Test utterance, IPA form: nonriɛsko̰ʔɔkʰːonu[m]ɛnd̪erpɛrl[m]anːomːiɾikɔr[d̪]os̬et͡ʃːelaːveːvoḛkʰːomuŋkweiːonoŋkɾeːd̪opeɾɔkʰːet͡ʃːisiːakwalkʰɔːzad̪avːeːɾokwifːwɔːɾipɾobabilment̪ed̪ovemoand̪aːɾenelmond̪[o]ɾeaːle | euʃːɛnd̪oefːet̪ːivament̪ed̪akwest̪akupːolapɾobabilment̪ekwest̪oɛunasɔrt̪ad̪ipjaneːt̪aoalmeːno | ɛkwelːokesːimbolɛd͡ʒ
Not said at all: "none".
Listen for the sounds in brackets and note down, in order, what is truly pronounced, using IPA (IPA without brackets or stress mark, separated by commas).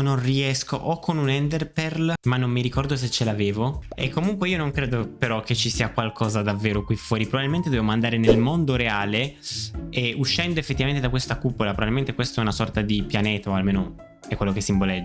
n, m, d̪, o